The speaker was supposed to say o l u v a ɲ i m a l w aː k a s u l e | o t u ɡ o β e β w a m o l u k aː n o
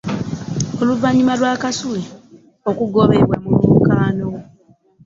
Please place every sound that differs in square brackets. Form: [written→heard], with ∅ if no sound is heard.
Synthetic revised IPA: o l u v a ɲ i m a l w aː k a s u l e | o [t→k] u ɡ o β e β w a m [o→u] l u k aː n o

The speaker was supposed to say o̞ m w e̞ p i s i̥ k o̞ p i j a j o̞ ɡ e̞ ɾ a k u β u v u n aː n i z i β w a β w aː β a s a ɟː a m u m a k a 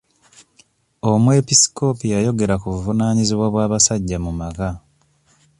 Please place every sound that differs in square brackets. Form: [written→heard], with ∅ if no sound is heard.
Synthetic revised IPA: o̞ m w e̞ p i s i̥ k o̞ p i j a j o̞ ɡ e̞ ɾ a k u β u v u n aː [n→ɲ] i z i β w a β w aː β a s a ɟː a m u m a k a

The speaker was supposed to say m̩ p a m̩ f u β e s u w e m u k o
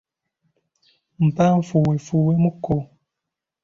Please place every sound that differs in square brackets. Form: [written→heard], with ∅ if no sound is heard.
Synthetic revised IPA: m̩ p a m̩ f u [β→w] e [s→f] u w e m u k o

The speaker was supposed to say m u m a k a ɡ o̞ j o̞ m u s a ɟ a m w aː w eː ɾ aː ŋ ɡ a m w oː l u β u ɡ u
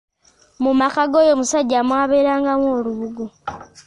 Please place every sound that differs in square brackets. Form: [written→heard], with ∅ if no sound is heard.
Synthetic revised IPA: m u m a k a ɡ o̞ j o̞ m u s a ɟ a m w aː [w→β] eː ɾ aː ŋ ɡ a m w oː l u β u ɡ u

